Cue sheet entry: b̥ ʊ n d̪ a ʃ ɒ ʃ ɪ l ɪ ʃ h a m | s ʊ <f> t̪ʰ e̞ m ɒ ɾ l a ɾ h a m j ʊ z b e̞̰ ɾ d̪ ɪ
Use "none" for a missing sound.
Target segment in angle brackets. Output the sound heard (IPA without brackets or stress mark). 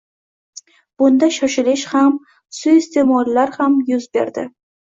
s